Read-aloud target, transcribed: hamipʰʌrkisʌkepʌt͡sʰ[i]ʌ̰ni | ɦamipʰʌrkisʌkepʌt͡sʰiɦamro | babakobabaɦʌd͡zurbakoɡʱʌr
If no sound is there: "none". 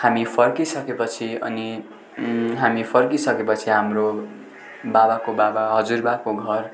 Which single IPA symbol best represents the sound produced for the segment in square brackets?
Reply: i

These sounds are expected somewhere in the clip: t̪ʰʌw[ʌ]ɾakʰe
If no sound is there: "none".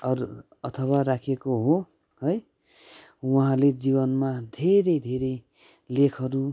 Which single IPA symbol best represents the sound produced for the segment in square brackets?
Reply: a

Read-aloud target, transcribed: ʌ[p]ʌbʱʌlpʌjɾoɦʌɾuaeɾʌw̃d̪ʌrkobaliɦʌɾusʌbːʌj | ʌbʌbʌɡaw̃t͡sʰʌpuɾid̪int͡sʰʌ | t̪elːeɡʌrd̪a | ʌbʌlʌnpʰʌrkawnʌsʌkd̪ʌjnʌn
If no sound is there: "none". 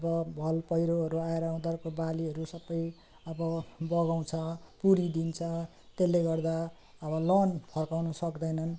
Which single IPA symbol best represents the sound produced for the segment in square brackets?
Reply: b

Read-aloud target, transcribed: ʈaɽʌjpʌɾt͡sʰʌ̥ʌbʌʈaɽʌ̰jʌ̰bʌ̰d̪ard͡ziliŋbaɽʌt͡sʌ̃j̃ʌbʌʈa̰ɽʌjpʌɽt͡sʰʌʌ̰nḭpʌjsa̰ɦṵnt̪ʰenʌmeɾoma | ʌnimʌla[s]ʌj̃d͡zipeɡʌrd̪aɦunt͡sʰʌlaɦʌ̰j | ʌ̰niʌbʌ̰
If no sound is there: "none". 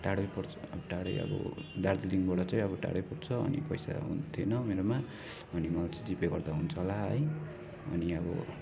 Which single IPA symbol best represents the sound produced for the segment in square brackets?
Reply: t͡s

